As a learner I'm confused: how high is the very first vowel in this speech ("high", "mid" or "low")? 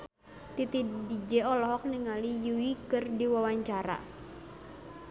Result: high